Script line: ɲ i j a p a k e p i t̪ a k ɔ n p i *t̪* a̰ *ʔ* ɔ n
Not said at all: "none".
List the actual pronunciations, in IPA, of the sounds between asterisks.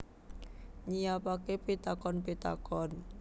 t̪, k

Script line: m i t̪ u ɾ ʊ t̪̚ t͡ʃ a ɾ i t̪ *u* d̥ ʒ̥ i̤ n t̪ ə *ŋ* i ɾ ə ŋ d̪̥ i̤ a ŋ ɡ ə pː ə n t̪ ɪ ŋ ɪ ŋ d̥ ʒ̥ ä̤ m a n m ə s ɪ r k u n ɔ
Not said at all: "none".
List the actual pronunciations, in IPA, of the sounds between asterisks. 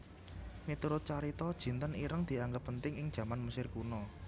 ɔ, n

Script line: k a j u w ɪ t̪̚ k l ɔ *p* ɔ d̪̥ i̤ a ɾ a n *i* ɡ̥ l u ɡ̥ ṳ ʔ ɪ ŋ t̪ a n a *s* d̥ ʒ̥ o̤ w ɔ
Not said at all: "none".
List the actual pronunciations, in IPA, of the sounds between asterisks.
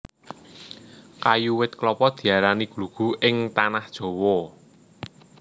p, i, h

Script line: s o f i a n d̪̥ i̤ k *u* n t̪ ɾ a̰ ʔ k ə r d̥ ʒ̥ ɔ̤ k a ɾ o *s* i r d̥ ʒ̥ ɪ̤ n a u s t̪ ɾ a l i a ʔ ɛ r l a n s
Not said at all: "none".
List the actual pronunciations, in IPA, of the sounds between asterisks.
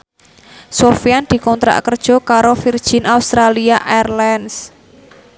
ɔ, f

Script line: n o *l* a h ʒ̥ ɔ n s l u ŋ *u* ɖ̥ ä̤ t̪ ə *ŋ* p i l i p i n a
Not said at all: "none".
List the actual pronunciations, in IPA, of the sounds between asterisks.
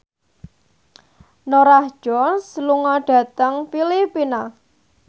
ɾ, ɔ, ŋ

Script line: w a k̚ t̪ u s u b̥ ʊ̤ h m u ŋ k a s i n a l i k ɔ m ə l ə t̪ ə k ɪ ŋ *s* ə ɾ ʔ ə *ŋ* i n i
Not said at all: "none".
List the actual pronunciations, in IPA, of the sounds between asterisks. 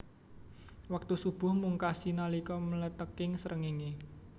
s, ŋ

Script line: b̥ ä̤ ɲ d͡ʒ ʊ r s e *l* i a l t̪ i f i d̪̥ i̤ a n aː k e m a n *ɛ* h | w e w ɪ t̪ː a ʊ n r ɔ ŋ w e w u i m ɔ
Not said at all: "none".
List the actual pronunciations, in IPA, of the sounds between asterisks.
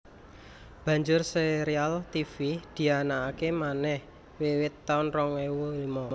ɾ, ɛ

